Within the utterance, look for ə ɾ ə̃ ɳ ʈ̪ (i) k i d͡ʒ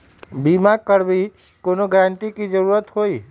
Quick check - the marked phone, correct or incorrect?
correct